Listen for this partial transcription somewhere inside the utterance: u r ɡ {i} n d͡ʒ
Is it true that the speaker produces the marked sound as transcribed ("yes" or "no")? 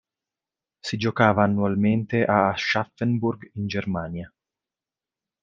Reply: yes